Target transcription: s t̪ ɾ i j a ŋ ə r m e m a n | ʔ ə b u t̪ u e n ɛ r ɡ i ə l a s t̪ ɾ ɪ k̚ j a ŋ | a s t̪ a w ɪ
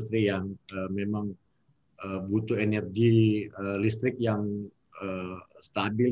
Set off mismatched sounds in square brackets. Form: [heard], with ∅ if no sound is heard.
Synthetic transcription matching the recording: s t̪ ɾ i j a ŋ ə [∅] m e m a [ŋ] | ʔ ə b u t̪ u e n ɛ r ɡ i ə l [i] s t̪ ɾ ɪ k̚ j a ŋ | [ə] s t̪ a [b] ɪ